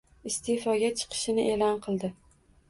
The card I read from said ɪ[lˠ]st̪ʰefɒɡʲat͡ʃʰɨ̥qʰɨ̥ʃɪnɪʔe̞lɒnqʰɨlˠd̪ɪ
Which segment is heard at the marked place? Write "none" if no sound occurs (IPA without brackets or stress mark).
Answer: none